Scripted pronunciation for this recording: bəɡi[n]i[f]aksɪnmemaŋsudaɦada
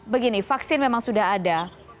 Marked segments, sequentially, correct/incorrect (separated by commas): correct, correct